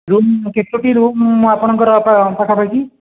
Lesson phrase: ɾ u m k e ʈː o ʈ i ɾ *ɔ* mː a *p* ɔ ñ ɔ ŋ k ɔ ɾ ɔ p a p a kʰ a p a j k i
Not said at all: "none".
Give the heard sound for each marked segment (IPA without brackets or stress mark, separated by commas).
u, p